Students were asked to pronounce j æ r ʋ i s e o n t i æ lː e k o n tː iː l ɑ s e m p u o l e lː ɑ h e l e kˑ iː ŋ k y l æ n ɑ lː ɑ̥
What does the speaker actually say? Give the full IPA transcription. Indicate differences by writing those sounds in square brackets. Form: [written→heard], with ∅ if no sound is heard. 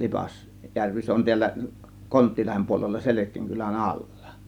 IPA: j æ r ʋ i s e o n t i æ lː [e→æ] k o n tː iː l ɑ [s→h] e m p u o l e lː ɑ [h→s] e l e kˑ iː ŋ k y l æ n ɑ lː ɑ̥